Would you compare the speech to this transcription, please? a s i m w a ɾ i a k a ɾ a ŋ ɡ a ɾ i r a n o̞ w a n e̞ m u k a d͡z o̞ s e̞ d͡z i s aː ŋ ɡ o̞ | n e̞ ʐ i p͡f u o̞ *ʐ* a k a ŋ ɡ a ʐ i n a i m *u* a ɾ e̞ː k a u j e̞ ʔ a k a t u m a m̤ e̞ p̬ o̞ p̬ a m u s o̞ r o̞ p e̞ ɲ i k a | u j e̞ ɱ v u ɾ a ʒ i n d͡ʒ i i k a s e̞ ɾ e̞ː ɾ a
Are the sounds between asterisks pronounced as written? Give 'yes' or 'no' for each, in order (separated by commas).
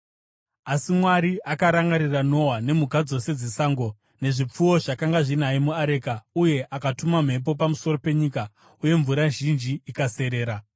yes, yes